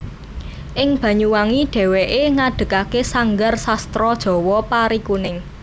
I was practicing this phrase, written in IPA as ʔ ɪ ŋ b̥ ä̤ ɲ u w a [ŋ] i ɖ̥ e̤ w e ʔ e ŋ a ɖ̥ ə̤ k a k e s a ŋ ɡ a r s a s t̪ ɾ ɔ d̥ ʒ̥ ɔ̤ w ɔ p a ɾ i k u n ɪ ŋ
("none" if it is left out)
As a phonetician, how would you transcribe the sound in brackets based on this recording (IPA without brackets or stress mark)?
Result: ŋ